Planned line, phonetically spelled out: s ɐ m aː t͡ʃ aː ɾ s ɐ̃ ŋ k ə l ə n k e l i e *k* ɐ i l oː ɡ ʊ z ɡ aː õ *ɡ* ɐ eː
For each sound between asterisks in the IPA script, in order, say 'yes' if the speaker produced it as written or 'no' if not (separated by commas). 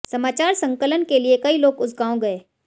yes, yes